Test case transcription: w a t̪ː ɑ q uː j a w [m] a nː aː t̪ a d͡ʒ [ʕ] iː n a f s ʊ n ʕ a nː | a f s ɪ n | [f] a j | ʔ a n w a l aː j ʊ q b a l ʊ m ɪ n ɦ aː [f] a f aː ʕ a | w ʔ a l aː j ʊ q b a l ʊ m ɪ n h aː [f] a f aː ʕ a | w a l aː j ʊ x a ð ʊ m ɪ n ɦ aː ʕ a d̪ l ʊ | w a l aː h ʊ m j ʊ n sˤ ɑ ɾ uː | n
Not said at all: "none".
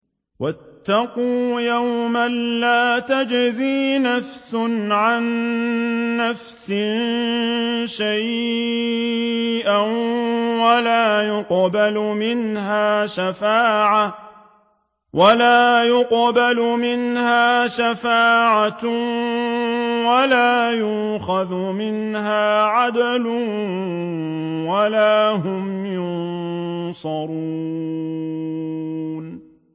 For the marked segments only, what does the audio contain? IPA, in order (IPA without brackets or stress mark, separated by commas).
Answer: m, z, ʃ, ʃ, ʃ